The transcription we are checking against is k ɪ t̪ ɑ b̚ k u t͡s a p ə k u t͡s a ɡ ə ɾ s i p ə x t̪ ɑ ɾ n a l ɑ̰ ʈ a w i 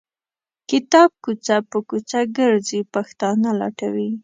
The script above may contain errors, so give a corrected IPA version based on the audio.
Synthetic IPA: k ɪ t̪ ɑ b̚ k u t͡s a p ə k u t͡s a ɡ ə ɾ z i p a x t̪ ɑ n a l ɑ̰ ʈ a w i